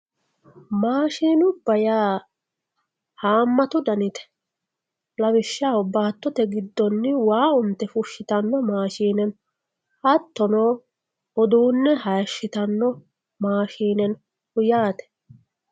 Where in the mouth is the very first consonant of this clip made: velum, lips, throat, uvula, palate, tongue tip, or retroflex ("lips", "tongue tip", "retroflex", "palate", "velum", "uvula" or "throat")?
lips